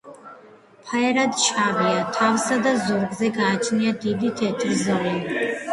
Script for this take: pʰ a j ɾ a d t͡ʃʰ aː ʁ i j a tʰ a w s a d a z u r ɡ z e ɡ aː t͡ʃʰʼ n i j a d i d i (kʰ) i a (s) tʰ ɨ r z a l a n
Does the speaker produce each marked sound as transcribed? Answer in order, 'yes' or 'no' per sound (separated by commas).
no, no